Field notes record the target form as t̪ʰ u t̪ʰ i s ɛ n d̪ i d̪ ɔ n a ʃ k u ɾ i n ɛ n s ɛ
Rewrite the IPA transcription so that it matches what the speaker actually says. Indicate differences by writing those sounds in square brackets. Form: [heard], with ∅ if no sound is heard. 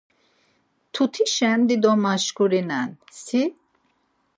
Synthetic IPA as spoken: t̪ʰ u t̪ʰ i [ʃ] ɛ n d̪ i d̪ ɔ [m] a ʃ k u ɾ i n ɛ n s [i]